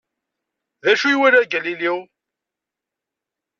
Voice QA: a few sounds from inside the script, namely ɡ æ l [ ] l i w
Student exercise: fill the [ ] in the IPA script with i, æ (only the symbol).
i